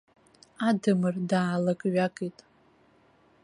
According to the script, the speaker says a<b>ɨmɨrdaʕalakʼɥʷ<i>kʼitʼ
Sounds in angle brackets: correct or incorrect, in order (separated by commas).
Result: incorrect, incorrect